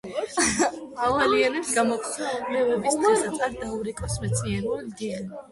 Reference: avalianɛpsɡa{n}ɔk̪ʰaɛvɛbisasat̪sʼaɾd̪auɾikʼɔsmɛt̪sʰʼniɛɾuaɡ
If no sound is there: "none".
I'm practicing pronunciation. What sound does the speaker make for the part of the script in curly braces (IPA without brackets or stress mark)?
m